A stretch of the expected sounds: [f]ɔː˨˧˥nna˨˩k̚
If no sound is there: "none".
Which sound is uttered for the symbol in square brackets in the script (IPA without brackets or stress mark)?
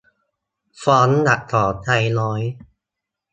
f